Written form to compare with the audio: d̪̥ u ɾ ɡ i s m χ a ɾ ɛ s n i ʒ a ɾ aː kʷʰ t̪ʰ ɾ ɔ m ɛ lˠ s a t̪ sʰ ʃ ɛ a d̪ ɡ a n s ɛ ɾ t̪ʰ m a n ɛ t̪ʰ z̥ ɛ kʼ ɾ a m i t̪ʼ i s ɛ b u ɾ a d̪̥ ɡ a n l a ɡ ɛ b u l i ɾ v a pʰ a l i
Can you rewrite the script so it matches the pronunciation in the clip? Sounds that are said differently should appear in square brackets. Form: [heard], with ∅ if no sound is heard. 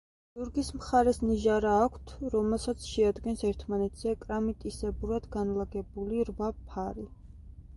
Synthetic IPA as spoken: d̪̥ u ɾ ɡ i s m χ a ɾ ɛ s n i ʒ a ɾ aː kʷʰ t̪ʰ ɾ ɔ m ɛ lˠ s a t̪ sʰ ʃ ɛ a d̪ ɡ [ɛ] n s ɛ ɾ t̪ʰ m a n ɛ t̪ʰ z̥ ɛ kʼ ɾ a m i t̪ʼ i s ɛ b u ɾ a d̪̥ ɡ a n l a ɡ ɛ b u l i ɾ v a pʰ a [ɾ] i